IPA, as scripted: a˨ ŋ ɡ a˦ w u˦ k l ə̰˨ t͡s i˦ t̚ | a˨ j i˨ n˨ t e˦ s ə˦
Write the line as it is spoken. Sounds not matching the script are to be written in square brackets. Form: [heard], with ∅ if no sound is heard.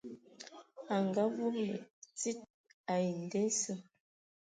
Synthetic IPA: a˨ ŋ ɡ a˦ [v] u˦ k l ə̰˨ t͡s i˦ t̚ | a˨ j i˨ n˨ [d] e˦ s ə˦